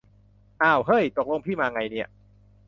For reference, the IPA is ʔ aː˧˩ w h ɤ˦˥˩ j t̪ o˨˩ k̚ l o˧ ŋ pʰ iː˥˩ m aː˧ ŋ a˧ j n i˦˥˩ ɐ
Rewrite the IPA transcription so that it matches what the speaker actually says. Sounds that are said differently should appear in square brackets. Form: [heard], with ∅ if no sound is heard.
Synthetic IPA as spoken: ʔ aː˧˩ w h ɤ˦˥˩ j t̪ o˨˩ k̚ l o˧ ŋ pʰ iː˥˩ m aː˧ ŋ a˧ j n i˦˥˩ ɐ